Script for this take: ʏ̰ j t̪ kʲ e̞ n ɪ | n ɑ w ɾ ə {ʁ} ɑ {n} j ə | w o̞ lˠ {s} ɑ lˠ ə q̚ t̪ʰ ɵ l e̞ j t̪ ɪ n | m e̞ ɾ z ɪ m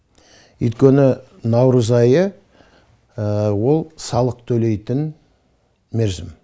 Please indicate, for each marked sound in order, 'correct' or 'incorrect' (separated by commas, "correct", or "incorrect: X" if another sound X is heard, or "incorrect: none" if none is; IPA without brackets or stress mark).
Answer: incorrect: z, incorrect: none, correct